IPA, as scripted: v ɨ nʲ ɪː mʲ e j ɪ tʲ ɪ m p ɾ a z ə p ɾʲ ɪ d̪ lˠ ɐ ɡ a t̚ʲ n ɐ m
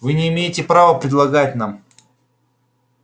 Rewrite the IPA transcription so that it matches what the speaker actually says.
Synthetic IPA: v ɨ nʲ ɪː mʲ e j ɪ tʲ ɪ p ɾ a v ə p ɾʲ ɪ d̪ lˠ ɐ ɡ a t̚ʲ n a m